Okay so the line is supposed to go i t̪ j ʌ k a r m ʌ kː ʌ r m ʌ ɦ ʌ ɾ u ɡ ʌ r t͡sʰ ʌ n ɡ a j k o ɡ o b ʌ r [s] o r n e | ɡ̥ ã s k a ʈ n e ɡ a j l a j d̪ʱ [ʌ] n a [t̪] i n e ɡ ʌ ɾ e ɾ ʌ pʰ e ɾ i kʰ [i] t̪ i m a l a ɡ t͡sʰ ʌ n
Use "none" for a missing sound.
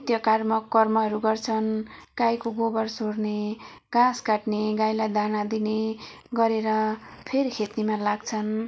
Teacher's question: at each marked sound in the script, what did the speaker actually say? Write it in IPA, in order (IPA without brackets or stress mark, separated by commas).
s, a, d̪, e